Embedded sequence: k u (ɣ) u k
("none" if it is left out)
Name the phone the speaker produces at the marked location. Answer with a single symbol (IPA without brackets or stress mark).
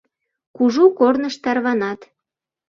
ʒ